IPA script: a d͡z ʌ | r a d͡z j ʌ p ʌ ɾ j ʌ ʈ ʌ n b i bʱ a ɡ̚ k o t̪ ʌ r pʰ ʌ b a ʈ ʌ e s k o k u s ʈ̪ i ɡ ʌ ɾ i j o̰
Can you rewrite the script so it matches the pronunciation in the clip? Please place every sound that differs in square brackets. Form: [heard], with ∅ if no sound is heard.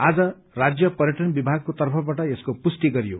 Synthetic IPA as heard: a d͡z ʌ | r a d͡z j ʌ p ʌ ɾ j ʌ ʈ ʌ n b i bʱ a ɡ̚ k o t̪ ʌ r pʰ ʌ b a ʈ ʌ e s k o [p] u s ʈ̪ i ɡ ʌ ɾ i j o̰